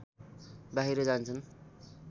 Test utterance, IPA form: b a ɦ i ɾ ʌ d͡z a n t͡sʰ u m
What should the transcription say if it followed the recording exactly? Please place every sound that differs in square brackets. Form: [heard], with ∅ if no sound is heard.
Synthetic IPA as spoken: b a ɦ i ɾ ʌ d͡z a n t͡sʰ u [n]

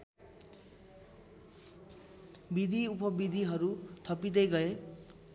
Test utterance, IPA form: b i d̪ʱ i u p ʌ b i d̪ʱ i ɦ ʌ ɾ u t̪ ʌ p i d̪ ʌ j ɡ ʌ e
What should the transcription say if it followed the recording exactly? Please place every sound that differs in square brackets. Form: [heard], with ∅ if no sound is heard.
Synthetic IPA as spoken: b i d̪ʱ i u p ʌ b i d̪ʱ i ɦ ʌ ɾ u [t̪ʰ] ʌ p i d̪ ʌ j ɡ ʌ e

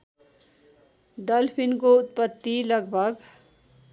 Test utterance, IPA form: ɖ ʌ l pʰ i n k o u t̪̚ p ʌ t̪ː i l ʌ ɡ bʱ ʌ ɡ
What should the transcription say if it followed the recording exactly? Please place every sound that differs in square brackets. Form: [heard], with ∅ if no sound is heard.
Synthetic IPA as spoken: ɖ ʌ l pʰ i n k o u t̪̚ p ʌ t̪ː i l ʌ ɡ bʱ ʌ ɡ

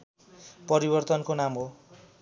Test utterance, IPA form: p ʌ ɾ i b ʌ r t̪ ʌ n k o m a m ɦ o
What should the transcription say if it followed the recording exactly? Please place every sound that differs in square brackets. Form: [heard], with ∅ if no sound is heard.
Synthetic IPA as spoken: p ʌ ɾ i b ʌ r t̪ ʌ n k o [n] a m ɦ o

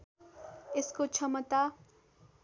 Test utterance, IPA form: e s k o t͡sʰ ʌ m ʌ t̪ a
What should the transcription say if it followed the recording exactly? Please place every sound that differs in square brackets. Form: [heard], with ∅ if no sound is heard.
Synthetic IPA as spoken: e s k o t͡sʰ ʌ m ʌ t̪ a

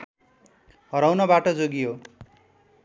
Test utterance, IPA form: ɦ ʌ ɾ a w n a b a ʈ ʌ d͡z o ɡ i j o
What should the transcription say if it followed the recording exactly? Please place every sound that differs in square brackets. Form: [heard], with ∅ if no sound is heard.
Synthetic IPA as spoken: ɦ ʌ ɾ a w n [ʌ] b a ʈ ʌ d͡z o ɡ i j o

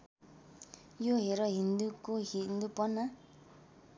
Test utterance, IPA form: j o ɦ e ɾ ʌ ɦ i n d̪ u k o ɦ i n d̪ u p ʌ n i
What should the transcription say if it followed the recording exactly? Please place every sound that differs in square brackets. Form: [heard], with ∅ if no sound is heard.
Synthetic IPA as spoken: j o ɦ e ɾ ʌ ɦ i n d̪ u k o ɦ i n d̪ u p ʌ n [a]

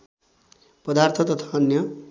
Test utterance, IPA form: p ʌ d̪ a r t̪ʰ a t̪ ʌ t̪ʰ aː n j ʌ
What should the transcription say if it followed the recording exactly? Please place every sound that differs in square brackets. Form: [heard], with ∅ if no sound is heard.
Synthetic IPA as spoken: p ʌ d̪ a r t̪ʰ [ʌ] t̪ ʌ t̪ʰ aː n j ʌ

